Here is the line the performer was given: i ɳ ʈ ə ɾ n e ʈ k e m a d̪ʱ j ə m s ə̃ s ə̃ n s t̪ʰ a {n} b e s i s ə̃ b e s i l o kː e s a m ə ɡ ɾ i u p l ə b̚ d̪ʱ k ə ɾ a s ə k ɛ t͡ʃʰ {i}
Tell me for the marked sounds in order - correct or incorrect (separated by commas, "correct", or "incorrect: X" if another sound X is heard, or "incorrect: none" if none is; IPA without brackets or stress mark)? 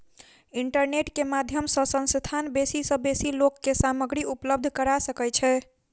correct, incorrect: ɛ